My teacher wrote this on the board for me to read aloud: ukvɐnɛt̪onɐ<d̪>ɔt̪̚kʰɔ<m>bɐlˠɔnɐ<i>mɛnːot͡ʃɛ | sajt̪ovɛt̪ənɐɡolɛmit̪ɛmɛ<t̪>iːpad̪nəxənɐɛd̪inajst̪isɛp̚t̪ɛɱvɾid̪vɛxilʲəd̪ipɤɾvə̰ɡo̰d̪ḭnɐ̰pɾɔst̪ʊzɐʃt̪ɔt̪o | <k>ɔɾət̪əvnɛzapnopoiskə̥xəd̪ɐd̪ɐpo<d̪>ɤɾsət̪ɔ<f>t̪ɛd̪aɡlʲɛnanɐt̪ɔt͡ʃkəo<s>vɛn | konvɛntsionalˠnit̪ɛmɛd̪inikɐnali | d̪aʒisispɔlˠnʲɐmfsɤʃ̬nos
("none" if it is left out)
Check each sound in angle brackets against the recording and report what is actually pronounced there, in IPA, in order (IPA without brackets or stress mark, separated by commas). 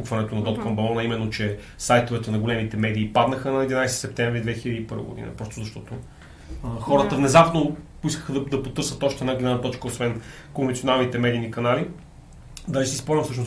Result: d̪, m, i, d̪, x, t̪, ʃ, s